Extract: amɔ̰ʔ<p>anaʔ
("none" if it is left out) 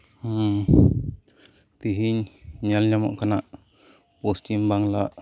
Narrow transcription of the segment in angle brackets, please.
k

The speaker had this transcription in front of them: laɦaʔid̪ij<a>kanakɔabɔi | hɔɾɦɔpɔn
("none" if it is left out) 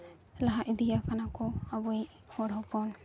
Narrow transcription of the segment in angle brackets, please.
a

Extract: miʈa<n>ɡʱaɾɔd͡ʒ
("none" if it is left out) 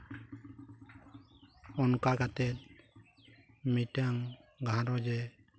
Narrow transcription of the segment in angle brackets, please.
ŋ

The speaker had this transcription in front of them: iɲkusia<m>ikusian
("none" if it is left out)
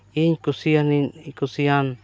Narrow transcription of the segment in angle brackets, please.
n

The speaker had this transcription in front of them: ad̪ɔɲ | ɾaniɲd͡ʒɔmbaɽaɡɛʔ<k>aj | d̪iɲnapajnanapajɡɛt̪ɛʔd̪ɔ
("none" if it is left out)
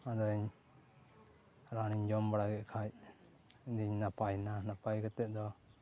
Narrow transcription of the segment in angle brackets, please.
kʰ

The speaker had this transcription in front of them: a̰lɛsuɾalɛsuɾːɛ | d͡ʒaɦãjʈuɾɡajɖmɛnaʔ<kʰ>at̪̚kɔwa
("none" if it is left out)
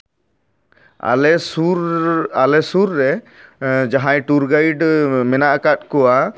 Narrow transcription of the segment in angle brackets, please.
k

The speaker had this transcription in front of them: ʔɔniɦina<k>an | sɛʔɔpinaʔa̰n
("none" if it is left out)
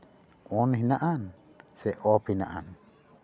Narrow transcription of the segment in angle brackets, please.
ʔ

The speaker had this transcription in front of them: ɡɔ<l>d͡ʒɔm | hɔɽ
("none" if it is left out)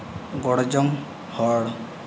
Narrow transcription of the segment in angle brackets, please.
ɽ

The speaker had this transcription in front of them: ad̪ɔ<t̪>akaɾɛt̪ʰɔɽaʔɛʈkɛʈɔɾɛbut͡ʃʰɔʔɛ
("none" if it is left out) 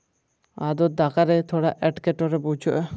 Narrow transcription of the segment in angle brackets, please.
d̪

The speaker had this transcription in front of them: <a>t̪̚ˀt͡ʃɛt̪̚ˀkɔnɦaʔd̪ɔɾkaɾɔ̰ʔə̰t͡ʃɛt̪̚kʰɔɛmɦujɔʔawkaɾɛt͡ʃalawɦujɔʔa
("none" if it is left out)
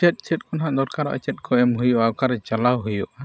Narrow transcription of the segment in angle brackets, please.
ɛ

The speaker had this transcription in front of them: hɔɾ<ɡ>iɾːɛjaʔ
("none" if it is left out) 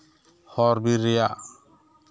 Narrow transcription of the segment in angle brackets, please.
b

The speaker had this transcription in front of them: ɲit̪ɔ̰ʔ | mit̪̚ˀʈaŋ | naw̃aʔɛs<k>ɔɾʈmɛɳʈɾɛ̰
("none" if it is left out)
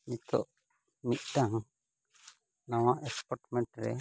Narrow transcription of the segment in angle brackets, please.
p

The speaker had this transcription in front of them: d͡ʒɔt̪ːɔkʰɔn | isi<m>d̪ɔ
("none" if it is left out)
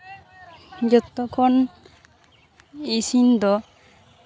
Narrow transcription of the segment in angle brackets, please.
n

